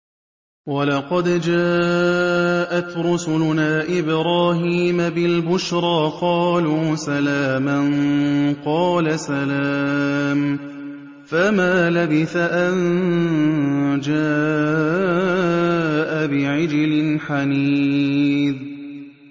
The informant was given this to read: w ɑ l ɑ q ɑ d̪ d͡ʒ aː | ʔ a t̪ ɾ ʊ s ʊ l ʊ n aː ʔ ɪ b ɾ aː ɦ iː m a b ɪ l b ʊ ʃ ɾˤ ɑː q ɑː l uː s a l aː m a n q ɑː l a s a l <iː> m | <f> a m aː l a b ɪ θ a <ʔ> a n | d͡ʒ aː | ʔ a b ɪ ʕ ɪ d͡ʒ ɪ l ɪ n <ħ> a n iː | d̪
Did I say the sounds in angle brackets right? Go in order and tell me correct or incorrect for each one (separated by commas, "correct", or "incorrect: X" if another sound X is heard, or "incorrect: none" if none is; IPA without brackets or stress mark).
incorrect: aː, correct, correct, correct